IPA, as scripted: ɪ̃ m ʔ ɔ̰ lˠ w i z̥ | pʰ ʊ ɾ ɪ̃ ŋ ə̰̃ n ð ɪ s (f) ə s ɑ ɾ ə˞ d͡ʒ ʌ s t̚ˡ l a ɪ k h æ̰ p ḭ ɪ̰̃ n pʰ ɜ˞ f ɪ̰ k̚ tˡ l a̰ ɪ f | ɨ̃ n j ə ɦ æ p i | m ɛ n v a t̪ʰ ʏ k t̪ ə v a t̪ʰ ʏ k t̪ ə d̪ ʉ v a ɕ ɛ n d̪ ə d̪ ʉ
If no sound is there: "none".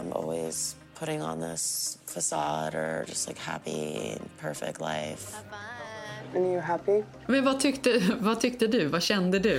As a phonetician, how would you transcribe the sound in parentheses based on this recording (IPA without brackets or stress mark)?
f